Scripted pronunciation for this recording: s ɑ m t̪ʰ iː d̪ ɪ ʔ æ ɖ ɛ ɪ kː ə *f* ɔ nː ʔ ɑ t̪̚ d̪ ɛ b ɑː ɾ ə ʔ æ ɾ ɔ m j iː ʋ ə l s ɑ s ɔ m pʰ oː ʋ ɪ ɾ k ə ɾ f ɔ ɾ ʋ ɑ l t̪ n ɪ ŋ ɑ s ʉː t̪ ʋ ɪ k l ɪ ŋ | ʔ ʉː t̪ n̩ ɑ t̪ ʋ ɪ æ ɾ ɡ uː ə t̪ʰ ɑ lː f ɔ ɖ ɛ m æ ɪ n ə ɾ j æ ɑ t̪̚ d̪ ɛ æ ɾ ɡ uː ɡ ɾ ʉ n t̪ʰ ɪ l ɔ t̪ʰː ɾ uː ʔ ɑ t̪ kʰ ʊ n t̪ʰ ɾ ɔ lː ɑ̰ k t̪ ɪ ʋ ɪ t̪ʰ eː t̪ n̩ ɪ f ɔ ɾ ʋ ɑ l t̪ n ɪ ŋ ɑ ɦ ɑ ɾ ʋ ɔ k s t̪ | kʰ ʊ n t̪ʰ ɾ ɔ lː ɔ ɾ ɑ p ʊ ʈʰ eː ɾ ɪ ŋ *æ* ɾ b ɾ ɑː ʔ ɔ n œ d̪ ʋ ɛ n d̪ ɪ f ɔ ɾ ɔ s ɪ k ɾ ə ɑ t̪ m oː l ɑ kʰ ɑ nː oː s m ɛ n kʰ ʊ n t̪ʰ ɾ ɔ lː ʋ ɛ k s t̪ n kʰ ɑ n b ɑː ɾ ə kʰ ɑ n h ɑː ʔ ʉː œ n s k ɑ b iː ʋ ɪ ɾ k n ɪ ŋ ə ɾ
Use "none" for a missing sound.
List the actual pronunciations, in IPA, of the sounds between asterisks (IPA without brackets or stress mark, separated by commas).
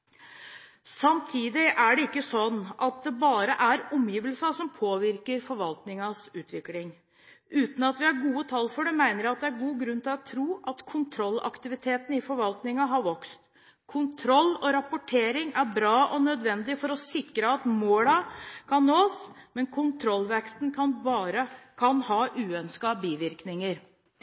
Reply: s, æ